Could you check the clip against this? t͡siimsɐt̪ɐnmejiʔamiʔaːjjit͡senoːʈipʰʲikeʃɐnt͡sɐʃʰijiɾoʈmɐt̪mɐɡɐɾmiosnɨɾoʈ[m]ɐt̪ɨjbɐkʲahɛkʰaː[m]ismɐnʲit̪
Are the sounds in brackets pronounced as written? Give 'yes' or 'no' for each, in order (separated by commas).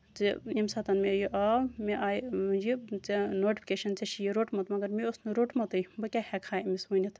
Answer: yes, yes